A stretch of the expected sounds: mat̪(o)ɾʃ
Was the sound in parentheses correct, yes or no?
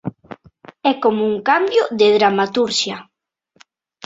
no